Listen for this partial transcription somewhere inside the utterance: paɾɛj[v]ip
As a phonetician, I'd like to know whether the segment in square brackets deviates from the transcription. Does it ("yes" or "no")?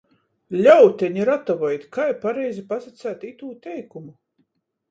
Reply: yes